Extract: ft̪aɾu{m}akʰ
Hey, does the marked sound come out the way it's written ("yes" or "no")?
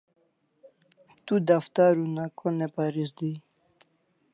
no